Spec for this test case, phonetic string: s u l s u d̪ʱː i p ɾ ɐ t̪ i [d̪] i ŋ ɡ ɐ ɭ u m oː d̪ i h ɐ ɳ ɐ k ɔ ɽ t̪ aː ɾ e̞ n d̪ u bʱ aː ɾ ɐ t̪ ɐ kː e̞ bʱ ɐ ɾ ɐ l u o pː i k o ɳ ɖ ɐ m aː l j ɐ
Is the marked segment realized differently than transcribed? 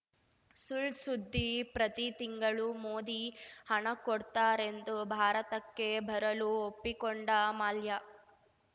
yes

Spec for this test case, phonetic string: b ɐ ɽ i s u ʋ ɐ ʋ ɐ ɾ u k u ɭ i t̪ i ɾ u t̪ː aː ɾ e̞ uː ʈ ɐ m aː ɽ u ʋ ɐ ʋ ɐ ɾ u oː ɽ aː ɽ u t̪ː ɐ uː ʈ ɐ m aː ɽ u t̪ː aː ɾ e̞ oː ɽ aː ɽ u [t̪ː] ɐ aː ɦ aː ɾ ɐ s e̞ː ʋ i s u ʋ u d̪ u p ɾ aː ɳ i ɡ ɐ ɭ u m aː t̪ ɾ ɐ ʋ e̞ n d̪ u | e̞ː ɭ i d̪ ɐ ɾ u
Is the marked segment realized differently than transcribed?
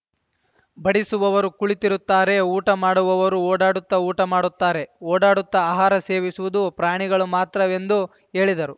no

